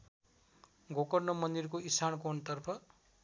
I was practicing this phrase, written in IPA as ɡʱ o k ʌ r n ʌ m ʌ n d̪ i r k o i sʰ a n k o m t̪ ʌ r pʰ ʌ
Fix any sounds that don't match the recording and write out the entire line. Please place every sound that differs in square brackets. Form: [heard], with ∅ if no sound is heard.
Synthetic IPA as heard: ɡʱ o k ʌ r n ʌ m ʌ n d̪ i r k o i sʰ a n k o [n] t̪ ʌ r pʰ ʌ